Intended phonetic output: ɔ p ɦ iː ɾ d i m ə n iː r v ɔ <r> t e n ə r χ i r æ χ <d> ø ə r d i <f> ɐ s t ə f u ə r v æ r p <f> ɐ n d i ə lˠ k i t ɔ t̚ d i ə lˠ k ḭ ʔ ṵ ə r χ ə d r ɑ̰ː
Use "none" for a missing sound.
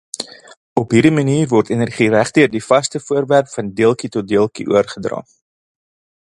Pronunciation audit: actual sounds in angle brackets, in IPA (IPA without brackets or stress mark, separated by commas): r, d, f, f